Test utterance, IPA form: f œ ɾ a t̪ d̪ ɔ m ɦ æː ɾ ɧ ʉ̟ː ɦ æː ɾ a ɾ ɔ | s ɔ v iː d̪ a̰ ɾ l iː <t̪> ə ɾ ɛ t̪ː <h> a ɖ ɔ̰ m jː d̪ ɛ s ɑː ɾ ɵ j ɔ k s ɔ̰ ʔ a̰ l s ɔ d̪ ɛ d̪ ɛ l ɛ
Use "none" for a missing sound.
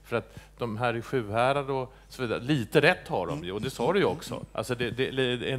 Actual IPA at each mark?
t̪, h

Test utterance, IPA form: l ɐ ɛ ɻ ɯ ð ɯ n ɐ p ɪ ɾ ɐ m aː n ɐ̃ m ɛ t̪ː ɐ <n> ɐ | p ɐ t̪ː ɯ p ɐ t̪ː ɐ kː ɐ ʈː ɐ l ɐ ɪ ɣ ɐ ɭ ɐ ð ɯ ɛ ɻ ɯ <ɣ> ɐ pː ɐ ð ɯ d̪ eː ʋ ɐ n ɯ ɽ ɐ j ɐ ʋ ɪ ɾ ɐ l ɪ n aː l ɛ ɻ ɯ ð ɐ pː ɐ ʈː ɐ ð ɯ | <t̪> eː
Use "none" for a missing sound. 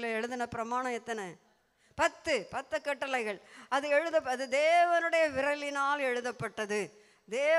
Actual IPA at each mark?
n, ð, d̪

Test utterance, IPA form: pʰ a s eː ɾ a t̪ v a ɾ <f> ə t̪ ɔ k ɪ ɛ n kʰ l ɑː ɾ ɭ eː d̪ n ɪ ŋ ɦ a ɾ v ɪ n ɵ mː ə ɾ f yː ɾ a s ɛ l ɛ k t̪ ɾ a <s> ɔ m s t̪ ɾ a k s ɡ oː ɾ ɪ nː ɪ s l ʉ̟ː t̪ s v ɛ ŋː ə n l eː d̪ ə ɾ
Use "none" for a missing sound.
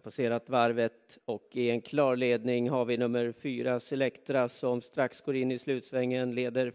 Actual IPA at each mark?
v, s

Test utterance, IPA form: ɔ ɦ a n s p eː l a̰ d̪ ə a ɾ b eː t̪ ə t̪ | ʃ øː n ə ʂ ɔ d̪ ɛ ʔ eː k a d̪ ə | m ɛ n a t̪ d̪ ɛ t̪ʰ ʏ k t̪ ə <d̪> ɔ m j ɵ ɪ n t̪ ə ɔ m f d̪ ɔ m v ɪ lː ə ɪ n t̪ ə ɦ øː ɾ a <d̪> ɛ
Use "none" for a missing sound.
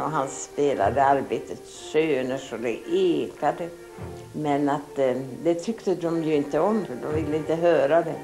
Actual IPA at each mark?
d̪, d̪

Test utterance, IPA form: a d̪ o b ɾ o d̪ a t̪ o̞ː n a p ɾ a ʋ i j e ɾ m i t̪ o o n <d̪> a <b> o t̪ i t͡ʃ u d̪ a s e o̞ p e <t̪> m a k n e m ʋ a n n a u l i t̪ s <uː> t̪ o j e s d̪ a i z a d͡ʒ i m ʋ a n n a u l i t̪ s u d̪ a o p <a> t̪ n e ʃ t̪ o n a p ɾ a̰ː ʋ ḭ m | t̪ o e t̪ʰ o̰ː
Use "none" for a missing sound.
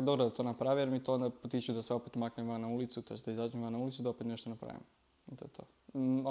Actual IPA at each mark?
d̪, p, t̪, u, e

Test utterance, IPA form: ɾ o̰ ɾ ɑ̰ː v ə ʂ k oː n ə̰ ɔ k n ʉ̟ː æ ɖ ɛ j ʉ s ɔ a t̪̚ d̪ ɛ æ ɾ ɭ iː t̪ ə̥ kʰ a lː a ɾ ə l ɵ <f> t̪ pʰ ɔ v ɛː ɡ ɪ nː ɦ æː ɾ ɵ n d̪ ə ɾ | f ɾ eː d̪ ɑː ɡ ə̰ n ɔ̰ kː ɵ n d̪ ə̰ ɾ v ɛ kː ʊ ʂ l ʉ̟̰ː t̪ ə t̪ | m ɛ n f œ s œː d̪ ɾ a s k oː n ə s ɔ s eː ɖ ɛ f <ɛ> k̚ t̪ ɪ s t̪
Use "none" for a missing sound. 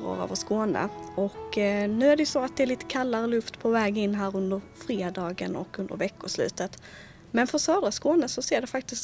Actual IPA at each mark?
f, a

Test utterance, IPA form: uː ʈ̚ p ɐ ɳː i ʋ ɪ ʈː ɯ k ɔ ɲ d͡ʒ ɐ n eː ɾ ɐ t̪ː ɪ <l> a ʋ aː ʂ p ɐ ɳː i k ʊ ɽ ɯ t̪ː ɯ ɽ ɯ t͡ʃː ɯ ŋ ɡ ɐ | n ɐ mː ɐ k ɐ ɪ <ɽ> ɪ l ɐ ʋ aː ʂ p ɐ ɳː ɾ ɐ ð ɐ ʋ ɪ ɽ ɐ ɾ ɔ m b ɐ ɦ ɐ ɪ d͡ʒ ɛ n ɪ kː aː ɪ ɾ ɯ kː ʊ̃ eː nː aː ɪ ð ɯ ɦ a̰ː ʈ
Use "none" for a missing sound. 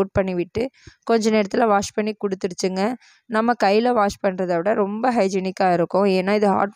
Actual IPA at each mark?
l, none

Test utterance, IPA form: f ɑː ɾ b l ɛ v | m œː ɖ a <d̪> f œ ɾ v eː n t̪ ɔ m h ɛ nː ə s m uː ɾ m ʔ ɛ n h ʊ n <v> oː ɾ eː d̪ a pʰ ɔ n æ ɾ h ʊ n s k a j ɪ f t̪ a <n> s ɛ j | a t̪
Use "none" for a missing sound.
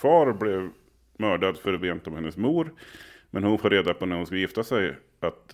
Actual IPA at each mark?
d̪, f, none

